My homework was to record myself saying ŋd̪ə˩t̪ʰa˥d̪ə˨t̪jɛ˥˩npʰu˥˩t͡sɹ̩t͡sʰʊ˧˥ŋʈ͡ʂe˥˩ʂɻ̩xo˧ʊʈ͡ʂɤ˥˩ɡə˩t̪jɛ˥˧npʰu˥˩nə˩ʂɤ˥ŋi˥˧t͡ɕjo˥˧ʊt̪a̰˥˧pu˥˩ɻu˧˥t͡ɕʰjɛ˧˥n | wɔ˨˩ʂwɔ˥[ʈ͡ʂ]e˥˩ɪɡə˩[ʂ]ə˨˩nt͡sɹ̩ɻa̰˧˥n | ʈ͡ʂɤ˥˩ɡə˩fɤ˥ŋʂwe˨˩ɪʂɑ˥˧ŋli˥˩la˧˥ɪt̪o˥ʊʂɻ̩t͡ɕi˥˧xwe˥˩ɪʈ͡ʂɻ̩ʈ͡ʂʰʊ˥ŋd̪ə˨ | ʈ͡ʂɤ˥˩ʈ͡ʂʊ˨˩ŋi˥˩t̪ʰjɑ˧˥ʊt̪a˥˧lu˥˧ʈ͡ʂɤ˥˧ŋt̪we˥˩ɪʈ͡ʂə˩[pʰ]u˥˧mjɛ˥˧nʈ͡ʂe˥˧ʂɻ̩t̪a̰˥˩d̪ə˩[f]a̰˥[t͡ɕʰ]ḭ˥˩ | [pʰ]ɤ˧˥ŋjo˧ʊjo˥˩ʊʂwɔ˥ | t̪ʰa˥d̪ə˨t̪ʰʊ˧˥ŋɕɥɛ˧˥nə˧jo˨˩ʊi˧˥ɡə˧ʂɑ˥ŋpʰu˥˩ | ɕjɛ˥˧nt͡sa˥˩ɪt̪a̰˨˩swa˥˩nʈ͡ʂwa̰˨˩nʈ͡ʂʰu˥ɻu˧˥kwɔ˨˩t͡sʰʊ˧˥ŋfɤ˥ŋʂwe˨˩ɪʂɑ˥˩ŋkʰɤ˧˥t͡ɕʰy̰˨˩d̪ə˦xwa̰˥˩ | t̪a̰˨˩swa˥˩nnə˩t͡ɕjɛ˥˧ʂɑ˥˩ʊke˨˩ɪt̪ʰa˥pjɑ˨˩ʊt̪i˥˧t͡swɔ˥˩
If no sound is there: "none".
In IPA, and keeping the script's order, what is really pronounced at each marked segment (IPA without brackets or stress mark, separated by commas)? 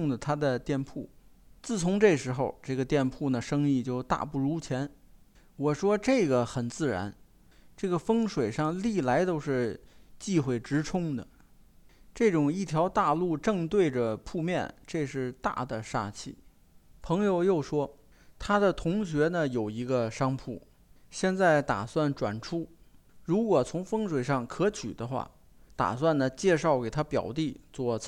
ʈ͡ʂ, x, pʰ, ʂ, t͡ɕʰ, pʰ